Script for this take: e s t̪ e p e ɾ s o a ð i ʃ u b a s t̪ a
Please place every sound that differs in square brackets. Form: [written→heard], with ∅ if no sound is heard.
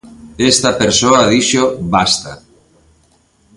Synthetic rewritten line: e s t̪ [e→a] p e ɾ s o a ð i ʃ [u→o] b a s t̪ a